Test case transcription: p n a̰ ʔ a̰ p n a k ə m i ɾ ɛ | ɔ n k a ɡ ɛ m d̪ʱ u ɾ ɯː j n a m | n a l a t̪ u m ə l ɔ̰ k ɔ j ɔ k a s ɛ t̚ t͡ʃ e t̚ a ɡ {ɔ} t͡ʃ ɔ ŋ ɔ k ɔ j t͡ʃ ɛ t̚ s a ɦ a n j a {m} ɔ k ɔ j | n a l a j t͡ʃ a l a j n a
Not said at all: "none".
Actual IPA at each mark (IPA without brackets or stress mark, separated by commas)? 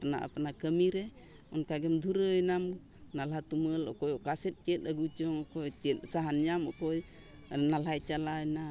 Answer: u, m